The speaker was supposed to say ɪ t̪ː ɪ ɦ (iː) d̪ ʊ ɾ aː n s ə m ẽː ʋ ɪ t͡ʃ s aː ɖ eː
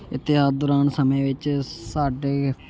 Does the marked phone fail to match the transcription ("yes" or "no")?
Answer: yes